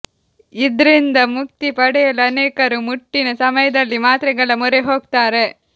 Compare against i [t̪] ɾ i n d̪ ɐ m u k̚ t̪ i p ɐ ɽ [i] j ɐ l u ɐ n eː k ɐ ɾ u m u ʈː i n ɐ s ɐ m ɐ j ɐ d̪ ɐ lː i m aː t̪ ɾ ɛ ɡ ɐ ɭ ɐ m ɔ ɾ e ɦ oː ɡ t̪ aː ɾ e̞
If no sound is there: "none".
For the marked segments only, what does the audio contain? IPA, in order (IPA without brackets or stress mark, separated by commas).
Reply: d̪, ɛ